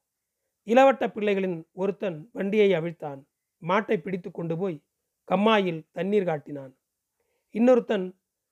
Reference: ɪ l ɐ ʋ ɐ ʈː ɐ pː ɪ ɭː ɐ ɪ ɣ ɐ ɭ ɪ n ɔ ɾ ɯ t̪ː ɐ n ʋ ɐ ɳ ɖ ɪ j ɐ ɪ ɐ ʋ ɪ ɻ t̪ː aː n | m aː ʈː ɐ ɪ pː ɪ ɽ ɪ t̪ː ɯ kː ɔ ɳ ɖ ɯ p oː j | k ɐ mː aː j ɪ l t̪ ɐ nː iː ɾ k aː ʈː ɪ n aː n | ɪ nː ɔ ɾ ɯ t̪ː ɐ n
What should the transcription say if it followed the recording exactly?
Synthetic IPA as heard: ɪ l ɐ ʋ ɐ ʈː ɐ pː ɪ ɭː ɐ ɪ ɣ ɐ ɭ ɪ n ɔ ɾ ɯ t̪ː ɐ n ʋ ɐ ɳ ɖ ɪ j ɐ ɪ ɐ ʋ ɪ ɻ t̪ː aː n | m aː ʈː ɐ ɪ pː ɪ ɽ ɪ t̪ː ɯ kː ɔ ɳ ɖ ɯ p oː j | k ɐ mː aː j ɪ l t̪ ɐ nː iː ɾ k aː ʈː ɪ n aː n | ɪ nː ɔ ɾ ɯ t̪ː ɐ n